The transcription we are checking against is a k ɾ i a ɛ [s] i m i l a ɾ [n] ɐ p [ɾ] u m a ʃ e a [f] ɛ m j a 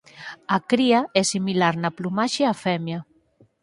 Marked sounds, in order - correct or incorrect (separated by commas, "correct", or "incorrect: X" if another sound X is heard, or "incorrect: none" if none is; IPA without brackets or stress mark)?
correct, correct, incorrect: l, correct